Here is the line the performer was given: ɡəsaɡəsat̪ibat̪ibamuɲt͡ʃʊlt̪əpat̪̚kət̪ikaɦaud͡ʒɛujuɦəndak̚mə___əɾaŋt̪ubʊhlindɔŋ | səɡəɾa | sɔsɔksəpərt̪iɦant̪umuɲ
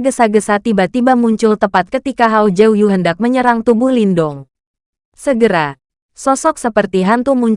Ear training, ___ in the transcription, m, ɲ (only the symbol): ɲ